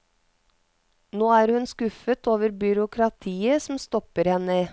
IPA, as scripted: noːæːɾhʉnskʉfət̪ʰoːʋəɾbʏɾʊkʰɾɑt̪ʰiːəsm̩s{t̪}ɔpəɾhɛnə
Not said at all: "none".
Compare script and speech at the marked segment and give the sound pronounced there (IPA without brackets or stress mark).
t̪